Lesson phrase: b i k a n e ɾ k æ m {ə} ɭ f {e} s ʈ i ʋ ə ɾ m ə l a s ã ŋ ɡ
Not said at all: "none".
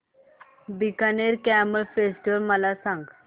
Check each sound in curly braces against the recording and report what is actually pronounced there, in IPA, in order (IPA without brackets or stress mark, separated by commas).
ə, e